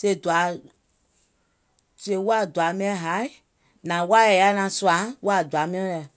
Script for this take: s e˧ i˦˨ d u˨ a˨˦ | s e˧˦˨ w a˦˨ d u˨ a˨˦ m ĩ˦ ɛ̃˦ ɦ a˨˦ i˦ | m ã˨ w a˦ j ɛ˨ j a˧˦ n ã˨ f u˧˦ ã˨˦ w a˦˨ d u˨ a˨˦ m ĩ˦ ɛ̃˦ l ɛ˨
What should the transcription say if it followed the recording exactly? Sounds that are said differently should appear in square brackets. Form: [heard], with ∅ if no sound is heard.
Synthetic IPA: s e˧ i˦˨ d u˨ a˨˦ | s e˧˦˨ w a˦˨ d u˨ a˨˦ m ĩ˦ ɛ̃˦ ɦ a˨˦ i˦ | [n] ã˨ w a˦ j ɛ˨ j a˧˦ n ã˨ [s] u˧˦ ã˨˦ w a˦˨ d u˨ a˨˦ m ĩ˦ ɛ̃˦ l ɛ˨